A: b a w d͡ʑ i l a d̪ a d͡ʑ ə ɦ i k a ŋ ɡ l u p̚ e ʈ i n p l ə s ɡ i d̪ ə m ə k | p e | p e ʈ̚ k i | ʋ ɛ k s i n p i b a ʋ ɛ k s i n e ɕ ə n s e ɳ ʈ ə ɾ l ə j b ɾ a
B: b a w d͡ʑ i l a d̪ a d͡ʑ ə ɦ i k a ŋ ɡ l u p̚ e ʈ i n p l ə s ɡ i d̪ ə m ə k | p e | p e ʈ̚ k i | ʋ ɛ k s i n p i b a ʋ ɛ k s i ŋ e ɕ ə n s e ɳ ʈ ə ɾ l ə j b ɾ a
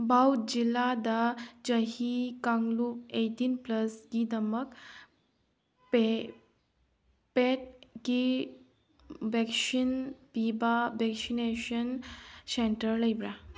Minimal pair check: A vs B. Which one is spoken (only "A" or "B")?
A